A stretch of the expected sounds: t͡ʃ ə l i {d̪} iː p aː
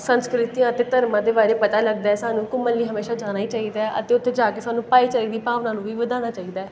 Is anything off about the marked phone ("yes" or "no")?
no